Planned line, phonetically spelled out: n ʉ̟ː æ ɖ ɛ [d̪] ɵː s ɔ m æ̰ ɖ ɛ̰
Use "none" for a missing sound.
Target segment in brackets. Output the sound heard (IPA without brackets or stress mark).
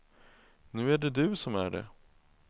d̪